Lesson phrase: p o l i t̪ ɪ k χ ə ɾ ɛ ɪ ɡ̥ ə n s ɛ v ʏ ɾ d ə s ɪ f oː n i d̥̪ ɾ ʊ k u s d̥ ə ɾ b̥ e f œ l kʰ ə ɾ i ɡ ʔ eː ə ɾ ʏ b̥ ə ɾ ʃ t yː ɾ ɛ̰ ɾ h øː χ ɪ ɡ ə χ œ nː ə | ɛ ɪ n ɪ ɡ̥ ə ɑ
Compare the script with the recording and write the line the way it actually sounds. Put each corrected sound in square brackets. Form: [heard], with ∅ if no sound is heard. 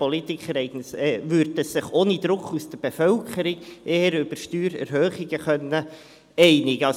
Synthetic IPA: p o l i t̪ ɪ k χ ə ɾ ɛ ɪ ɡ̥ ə n s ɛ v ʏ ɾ d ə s ɪ [χ] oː n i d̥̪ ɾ ʊ k u s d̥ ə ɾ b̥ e f œ l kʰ ə ɾ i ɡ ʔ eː ə ɾ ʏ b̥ ə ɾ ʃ t yː ɾ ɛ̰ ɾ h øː χ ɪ ɡ ə χ œ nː ə | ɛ ɪ n ɪ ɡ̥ ə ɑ

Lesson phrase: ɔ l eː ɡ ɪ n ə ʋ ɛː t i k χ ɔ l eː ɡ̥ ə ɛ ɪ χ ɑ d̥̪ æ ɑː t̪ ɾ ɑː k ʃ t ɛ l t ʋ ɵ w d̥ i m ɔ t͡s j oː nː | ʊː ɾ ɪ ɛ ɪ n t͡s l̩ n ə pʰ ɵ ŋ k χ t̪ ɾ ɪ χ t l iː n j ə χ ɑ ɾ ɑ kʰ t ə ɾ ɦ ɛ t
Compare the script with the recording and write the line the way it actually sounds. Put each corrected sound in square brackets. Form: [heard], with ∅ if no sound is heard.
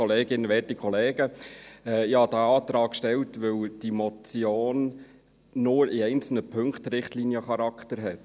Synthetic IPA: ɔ l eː ɡ ɪ n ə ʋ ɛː t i k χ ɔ l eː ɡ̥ ə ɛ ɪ [h] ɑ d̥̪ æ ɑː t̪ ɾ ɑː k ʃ t ɛ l t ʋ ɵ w d̥ i m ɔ t͡s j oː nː | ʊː ɾ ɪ ɛ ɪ n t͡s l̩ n ə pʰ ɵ ŋ k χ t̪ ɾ ɪ χ t l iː n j ə χ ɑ ɾ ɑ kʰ t ə ɾ ɦ ɛ t

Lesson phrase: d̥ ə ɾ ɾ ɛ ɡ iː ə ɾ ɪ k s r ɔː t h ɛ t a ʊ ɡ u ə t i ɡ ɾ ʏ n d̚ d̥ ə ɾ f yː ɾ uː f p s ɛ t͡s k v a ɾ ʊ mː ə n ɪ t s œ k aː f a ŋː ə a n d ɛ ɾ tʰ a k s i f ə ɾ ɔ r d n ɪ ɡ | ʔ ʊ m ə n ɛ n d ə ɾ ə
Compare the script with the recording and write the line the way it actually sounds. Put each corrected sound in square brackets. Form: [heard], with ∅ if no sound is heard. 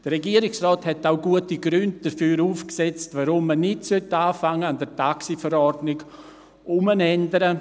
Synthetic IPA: d̥ ə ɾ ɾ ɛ ɡ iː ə ɾ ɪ k s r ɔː t h ɛ t a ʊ ɡ u ə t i ɡ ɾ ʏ n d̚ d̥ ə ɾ f yː ɾ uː f [k] s ɛ t͡s [t] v a ɾ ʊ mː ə n ɪ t s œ [t] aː f a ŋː ə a n d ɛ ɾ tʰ a k s i f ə ɾ ɔ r d n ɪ ɡ | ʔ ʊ m ə n ɛ n d ə ɾ ə

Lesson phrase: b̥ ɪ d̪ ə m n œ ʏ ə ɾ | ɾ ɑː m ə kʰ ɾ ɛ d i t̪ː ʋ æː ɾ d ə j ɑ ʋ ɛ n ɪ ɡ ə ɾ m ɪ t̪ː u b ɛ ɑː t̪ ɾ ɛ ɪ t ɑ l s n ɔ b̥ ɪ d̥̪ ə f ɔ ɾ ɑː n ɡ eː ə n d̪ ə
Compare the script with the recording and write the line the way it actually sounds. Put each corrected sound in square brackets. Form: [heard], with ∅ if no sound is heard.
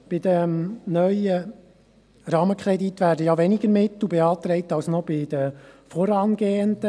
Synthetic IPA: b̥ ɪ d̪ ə m n œ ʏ ə [∅] | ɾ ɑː m ə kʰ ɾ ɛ d i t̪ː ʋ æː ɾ d ə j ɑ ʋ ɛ n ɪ ɡ ə ɾ m ɪ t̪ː u b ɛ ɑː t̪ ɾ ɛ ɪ t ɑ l s n ɔ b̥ ɪ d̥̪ ə f ɔ ɾ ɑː n ɡ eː ə n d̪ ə

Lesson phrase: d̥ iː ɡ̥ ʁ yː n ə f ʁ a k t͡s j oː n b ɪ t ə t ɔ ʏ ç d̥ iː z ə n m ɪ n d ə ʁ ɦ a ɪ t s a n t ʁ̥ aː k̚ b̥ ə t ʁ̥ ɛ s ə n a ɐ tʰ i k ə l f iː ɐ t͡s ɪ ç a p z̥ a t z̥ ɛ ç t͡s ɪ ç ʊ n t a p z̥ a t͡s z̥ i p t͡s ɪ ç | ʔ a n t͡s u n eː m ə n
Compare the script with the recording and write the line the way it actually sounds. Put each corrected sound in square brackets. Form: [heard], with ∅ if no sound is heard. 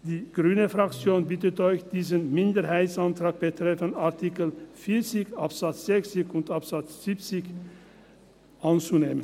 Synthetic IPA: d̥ iː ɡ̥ ʁ yː n ə f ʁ a k t͡s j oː n b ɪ t ə t ɔ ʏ ç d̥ iː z ə n m ɪ n d ə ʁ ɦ a ɪ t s a n t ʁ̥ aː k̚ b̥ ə t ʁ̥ ɛ [f] ə n a ɐ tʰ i k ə l f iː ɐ t͡s ɪ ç a p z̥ a [t͡s] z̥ ɛ ç t͡s ɪ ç ʊ n t a p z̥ a t͡s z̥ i p t͡s ɪ ç | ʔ a n t͡s u n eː m ə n

